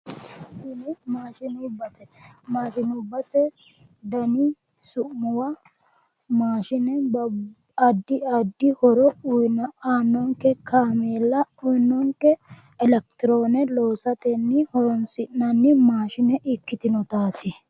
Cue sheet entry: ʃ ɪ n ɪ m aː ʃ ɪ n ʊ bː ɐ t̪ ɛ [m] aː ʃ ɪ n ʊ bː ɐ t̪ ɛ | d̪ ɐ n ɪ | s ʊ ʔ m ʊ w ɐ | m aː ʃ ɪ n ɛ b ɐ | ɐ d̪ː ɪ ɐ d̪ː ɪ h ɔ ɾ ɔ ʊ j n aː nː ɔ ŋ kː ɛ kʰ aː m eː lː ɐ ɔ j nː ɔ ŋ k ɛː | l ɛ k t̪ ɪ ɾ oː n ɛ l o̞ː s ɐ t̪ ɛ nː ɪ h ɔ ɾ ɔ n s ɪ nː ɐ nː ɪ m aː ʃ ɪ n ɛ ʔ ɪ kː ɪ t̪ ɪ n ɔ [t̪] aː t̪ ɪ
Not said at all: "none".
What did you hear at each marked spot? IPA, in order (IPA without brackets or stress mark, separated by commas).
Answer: m, t̪